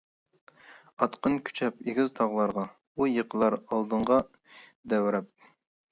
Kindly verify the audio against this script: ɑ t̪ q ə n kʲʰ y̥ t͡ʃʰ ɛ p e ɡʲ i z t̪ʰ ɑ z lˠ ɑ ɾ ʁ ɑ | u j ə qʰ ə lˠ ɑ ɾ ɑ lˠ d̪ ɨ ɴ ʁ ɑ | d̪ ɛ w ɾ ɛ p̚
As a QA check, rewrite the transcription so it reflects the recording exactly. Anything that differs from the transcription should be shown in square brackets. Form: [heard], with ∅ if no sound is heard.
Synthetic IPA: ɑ t̪ q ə n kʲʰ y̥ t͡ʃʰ ɛ p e ɡʲ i z t̪ʰ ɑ [ʁ] lˠ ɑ ɾ ʁ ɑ | u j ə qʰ ə lˠ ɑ ɾ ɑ lˠ d̪ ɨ ɴ ʁ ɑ | d̪ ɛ w ɾ ɛ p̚